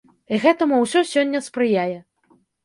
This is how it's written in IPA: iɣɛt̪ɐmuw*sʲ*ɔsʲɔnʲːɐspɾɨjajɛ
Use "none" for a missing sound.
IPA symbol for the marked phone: sʲ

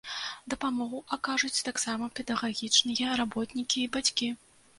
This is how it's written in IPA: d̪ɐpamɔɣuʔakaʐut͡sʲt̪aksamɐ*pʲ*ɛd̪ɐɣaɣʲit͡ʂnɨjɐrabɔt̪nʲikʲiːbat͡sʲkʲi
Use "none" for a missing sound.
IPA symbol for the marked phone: pʲ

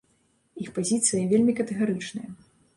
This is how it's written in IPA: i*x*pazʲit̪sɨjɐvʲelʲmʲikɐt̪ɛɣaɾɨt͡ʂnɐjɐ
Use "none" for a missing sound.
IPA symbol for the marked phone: x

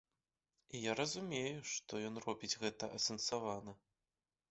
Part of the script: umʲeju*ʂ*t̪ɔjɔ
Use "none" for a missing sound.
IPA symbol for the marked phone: ʂ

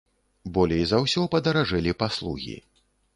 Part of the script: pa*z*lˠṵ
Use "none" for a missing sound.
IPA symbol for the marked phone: s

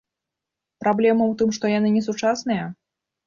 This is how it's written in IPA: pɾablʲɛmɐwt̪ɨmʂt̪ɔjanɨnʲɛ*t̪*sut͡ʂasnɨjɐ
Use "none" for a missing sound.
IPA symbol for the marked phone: none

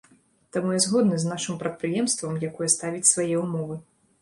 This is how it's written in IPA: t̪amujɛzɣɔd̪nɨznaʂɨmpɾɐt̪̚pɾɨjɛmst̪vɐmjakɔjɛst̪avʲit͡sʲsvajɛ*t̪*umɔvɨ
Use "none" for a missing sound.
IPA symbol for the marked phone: none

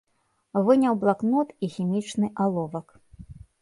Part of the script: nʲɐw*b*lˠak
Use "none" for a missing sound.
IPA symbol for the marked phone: b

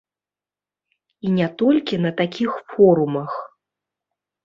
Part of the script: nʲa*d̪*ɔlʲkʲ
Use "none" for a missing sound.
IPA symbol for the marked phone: t̪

